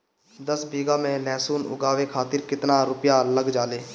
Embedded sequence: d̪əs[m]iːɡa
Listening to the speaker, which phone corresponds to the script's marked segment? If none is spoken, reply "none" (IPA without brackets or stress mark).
b